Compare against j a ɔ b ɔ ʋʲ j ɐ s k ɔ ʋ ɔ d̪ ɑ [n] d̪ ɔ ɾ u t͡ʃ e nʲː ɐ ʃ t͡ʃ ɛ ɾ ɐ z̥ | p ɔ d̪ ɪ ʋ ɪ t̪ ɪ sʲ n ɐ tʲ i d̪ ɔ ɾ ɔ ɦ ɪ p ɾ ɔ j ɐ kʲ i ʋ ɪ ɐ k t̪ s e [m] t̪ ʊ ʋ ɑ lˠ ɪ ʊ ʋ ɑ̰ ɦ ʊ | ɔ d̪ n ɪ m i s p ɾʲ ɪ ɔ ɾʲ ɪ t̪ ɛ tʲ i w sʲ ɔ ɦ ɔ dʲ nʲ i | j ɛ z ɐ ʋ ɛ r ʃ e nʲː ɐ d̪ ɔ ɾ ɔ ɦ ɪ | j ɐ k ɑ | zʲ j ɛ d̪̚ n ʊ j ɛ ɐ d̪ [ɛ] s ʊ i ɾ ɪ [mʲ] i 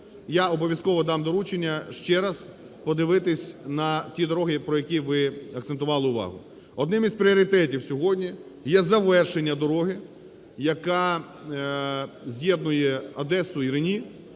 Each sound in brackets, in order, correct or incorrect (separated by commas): incorrect, incorrect, correct, incorrect